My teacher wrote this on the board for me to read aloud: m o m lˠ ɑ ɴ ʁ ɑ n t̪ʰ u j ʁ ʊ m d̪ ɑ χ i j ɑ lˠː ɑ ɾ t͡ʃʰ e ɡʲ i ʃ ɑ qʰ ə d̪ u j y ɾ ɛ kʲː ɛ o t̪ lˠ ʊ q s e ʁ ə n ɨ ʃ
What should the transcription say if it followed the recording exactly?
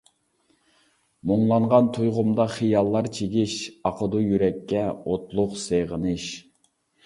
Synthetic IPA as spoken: m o ŋ lˠ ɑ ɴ ʁ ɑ n t̪ʰ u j ʁ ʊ m d̪ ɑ χ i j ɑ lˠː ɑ ɾ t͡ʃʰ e ɡʲ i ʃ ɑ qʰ ə d̪ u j y ɾ ɛ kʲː ɛ o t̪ lˠ ʊ q s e ʁ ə n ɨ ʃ